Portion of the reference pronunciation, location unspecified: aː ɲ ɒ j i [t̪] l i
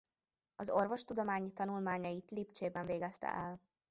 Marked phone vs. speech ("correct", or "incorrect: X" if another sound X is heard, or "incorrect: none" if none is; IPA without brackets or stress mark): correct